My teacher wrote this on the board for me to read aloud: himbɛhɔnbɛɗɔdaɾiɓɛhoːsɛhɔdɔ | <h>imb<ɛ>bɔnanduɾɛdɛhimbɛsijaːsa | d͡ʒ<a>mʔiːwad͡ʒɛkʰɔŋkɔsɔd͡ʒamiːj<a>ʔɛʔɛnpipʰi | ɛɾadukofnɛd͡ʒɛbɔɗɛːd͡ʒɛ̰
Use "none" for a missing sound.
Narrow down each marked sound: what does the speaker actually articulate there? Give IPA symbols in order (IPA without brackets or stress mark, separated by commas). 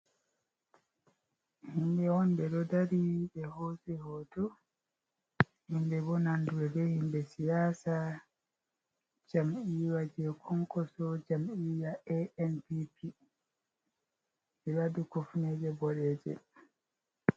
h, ɛ, a, a